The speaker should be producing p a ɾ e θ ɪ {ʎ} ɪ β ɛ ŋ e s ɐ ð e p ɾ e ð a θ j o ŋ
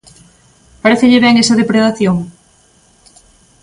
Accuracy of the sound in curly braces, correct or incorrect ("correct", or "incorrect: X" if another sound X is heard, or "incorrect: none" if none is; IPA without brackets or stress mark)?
correct